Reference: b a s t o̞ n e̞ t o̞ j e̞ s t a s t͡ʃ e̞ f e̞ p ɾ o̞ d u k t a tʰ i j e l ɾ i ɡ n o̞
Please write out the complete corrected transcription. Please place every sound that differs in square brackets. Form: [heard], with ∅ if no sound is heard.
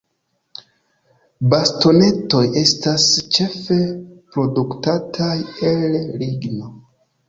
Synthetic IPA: b a s t o̞ n e̞ t o̞ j e̞ s t a s t͡ʃ e̞ f e̞ p ɾ o̞ d u k t a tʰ [a] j e l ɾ i ɡ n o̞